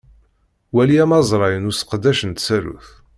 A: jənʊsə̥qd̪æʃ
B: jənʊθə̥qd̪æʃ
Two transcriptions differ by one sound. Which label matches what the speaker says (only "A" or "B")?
A